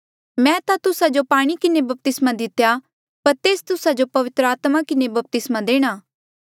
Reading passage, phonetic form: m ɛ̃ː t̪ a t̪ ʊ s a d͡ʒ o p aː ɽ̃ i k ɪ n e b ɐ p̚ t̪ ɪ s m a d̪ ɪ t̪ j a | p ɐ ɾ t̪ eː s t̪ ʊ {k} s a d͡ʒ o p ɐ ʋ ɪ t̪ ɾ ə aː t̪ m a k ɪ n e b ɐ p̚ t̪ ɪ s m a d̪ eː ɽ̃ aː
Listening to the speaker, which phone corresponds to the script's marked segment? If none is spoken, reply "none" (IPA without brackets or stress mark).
none